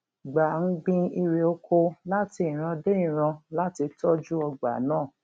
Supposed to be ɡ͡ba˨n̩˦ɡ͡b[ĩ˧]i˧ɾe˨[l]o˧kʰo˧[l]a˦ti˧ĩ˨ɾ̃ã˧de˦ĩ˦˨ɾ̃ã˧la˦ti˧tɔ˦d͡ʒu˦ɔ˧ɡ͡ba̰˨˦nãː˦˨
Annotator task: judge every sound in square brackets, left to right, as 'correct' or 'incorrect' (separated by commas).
correct, incorrect, correct